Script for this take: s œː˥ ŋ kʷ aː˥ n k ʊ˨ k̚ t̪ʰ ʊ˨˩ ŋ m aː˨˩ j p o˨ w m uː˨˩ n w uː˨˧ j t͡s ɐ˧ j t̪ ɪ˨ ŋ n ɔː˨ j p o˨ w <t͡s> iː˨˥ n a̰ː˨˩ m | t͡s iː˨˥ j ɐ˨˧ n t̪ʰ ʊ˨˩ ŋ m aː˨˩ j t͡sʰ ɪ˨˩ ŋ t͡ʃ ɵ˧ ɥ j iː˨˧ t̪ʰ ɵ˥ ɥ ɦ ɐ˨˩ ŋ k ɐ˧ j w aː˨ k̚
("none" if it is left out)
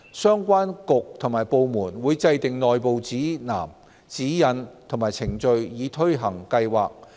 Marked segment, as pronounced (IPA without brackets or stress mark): t͡s